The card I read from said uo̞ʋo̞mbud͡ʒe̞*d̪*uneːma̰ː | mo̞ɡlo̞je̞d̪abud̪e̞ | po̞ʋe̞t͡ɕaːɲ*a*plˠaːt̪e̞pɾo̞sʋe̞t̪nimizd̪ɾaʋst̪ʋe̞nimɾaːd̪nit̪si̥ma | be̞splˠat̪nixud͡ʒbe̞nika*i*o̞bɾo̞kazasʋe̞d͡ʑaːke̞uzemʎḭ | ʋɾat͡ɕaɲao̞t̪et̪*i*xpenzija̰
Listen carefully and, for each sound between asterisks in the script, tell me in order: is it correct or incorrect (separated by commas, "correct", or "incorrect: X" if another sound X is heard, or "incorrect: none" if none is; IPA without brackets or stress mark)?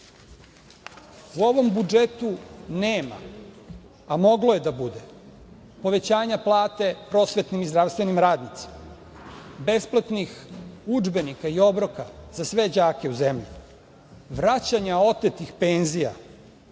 incorrect: t̪, correct, correct, correct